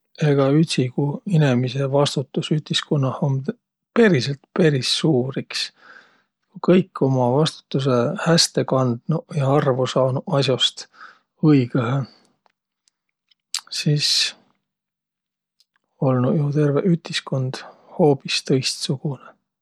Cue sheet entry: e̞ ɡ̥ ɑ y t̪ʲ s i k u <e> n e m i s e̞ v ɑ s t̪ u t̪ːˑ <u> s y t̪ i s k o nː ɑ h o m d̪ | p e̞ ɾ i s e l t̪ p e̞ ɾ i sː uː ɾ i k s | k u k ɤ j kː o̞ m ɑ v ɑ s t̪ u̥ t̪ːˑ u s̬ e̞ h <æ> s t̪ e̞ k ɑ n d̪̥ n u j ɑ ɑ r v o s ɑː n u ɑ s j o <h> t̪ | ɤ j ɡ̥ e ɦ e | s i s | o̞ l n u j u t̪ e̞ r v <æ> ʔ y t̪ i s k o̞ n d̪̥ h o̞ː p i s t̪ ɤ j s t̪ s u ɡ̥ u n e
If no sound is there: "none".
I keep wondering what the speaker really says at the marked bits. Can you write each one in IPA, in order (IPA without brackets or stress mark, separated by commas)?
i, u, æ, s, e